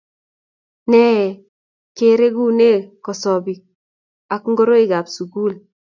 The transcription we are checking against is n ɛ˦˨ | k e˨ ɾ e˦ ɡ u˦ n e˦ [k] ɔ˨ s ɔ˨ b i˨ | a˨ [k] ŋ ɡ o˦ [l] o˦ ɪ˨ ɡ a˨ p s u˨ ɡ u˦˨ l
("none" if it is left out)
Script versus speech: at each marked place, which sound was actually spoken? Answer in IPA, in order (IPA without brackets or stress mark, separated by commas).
k, k, ɾ